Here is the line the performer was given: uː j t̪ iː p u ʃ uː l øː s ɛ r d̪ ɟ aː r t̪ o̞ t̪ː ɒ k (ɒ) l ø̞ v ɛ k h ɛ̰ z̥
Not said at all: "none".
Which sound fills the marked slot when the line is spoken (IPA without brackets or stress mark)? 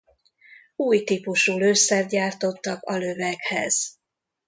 ɒ